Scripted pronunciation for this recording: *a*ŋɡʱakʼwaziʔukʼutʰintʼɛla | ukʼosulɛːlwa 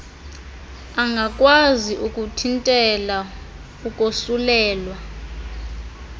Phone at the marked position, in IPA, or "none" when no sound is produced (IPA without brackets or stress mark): a